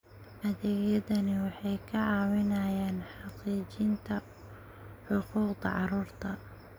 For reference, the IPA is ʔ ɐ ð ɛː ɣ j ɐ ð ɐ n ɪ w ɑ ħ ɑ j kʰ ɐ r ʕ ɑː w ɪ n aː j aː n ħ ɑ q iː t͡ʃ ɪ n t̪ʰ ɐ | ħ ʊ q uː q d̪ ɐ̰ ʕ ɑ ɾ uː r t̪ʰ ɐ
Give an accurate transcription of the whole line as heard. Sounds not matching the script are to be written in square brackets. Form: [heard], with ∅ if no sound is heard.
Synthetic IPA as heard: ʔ ɐ ð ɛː ɣ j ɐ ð ɐ n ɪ w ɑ ħ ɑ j kʰ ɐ [∅] ʕ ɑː w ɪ n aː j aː n ħ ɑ q iː t͡ʃ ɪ n t̪ʰ ɐ | ħ ʊ q uː q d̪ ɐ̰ ʕ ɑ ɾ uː r t̪ʰ ɐ